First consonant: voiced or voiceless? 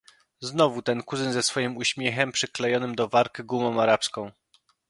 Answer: voiced